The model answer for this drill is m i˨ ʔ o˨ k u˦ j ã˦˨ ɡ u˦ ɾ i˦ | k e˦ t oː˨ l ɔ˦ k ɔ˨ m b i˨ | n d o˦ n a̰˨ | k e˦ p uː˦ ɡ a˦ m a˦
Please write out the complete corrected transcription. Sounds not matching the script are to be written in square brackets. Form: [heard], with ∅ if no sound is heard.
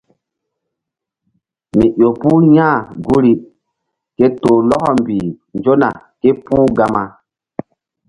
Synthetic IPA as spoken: m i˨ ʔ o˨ [p] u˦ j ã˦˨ ɡ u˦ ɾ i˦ | k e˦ t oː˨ l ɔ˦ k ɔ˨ m b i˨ | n [d͡ʒ] o˦ n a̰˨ | k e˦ p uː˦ ɡ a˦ m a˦